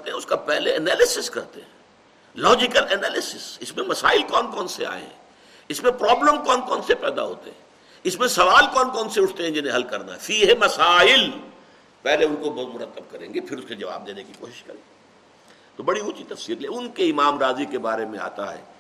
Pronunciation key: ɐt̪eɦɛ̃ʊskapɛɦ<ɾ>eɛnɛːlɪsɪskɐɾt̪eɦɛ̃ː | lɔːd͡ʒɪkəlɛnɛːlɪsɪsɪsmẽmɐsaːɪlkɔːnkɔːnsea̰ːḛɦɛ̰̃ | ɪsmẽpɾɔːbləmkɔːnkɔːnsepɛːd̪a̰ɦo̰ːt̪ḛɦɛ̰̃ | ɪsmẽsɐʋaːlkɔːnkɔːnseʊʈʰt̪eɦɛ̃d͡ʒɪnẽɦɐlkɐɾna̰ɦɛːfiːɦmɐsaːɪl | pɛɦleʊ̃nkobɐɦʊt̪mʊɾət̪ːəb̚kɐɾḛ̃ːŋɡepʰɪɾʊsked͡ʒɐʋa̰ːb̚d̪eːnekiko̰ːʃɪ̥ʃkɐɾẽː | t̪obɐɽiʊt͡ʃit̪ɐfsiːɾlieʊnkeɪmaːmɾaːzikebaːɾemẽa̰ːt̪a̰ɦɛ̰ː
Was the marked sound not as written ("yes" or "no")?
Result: yes